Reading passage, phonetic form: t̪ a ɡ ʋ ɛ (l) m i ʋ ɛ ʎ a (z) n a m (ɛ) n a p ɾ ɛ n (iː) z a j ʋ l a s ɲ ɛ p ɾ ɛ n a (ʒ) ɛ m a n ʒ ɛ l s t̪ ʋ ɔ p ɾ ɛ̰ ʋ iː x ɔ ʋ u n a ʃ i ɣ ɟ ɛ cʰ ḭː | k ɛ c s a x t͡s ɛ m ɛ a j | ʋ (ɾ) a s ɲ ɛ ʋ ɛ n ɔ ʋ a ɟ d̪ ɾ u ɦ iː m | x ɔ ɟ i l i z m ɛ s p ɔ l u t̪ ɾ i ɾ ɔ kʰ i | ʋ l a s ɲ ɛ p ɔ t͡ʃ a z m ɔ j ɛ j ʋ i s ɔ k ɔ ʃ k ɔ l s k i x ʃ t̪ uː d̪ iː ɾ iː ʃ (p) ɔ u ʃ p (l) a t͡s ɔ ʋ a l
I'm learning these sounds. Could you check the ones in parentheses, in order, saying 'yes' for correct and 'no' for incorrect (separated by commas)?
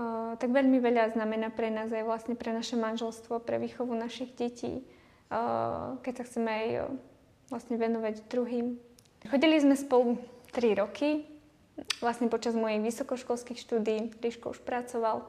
no, yes, yes, no, no, no, no, no